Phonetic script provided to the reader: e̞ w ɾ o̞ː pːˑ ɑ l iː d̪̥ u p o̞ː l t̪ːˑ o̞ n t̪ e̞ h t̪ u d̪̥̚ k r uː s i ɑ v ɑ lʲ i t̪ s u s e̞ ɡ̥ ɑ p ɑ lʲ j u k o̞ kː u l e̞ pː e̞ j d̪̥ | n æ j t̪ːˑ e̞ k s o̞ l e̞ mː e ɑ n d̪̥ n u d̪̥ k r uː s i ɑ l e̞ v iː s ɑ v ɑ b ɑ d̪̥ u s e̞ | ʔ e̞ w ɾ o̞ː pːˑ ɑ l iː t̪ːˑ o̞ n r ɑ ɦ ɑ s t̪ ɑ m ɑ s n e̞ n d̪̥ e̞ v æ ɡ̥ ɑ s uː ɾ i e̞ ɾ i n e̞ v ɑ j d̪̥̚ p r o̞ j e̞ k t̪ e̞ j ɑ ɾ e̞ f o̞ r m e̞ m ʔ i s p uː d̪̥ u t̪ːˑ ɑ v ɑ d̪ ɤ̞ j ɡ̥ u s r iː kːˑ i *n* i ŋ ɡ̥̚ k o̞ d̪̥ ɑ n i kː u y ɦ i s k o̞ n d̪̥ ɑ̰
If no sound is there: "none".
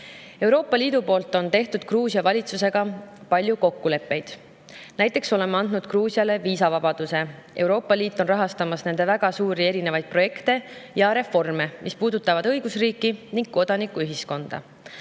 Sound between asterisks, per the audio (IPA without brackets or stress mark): n